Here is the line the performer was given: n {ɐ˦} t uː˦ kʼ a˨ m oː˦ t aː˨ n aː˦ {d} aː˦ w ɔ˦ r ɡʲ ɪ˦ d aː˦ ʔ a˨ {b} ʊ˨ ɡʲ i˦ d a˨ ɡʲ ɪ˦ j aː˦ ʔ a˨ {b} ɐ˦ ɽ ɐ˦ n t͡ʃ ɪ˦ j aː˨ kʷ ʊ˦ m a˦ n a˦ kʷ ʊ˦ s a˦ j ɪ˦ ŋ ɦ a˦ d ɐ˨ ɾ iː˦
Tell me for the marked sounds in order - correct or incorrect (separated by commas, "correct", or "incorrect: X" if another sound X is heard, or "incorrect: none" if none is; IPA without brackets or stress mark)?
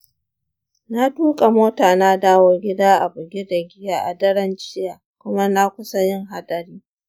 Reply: incorrect: a˦, correct, correct, incorrect: d